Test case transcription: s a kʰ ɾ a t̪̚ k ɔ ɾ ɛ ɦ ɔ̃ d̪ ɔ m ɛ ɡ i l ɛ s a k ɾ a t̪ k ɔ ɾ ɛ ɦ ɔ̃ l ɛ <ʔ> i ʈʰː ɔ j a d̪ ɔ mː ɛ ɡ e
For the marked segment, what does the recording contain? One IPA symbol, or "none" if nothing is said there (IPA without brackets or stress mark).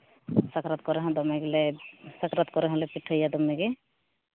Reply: p